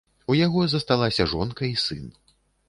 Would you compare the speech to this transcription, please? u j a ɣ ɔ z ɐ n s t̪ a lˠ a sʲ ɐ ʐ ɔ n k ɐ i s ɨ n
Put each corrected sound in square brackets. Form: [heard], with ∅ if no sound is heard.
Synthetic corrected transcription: u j a ɣ ɔ z ɐ [∅] s t̪ a lˠ a sʲ ɐ ʐ ɔ n k ɐ i s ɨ n